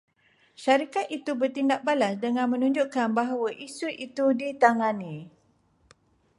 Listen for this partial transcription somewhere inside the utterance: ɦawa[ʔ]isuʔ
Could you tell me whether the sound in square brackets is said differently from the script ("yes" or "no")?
no